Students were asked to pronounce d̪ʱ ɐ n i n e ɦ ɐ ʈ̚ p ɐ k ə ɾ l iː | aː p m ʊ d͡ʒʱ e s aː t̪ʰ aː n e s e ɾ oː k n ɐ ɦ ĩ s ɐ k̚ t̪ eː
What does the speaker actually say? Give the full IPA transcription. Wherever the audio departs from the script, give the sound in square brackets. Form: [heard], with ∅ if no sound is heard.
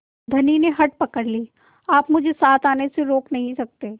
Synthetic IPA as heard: d̪ʱ ɐ n i n e ɦ ɐ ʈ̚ p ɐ k ə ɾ l iː | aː p m ʊ d͡ʒʱ e s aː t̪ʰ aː n e s e ɾ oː k n ɐ ɦ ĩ s ɐ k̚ t̪ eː